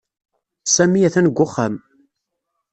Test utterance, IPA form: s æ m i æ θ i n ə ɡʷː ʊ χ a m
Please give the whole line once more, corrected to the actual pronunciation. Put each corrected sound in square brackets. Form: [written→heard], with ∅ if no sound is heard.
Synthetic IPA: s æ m i æ θ [i→æ] n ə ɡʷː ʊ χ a m